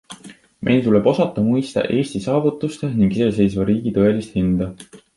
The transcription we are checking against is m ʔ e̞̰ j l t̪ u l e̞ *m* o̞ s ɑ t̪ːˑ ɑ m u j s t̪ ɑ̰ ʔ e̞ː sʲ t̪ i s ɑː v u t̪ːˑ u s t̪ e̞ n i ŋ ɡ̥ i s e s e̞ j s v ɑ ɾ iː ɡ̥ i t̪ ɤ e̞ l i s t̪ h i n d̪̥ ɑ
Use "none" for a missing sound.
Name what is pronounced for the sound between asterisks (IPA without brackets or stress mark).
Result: b